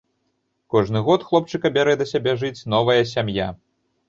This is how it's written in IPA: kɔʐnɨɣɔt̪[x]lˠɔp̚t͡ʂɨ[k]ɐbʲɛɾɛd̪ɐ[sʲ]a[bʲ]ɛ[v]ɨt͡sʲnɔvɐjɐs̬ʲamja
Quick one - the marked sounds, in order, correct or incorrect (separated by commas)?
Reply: correct, correct, correct, correct, incorrect